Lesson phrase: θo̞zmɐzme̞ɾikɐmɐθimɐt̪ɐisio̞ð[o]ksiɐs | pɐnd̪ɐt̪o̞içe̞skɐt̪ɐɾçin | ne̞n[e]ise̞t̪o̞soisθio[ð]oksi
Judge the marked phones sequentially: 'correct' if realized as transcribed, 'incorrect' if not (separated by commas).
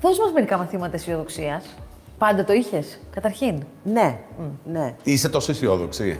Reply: correct, correct, correct